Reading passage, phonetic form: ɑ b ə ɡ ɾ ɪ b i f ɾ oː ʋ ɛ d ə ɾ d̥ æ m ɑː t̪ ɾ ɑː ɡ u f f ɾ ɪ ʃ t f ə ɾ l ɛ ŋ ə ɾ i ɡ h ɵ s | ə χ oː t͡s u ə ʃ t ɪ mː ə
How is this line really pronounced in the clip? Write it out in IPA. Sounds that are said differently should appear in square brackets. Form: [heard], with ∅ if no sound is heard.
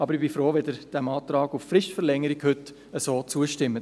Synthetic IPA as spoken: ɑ b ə [∅] ɾ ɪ b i f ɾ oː ʋ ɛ d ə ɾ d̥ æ m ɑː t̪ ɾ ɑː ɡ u f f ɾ ɪ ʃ t f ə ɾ l ɛ ŋ ə ɾ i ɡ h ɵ [t] | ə [s] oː t͡s u ə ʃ t ɪ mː ə